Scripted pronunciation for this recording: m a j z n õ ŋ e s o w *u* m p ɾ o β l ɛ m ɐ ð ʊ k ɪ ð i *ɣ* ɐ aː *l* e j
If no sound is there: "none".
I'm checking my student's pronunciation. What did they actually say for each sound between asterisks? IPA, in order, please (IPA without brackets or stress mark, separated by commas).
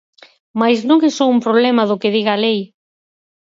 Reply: u, ɣ, l